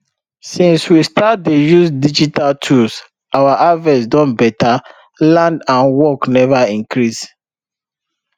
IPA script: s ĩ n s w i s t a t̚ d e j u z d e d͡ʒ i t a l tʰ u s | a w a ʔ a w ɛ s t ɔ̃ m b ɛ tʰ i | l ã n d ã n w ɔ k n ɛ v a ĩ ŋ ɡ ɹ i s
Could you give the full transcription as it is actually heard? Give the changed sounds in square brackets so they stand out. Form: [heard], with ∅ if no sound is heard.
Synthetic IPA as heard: s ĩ n s w i s t a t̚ d e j u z d [i] d͡ʒ i t a l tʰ u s | a w a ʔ a [v] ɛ s [d] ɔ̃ [n] b ɛ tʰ [a] | l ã n d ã n w ɔ k n ɛ v a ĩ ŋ [k] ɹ i s